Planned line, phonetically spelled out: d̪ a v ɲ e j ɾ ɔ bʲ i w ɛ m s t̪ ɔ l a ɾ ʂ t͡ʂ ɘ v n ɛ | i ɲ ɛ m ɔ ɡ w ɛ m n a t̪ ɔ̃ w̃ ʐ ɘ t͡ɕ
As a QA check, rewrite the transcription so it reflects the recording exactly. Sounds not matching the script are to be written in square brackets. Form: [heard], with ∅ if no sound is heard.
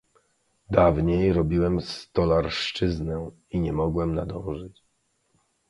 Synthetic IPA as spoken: d̪ a v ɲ e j ɾ ɔ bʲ i w ɛ m s t̪ ɔ l a ɾ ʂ t͡ʂ ɘ [z] n ɛ | i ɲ ɛ m ɔ ɡ w ɛ m n a [d̪] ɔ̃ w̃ ʐ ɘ t͡ɕ